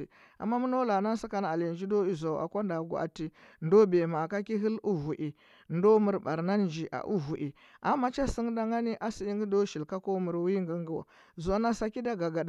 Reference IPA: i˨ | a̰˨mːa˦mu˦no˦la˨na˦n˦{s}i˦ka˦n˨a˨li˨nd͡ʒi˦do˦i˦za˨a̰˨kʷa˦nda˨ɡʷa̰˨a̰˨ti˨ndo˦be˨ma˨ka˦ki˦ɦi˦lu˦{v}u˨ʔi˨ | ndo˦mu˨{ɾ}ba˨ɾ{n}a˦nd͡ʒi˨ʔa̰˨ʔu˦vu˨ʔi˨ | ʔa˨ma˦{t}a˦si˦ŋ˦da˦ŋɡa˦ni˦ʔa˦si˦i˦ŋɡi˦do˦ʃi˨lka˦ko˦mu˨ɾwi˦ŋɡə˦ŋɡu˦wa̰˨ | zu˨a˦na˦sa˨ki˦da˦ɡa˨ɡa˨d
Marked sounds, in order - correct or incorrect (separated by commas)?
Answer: correct, correct, correct, correct, incorrect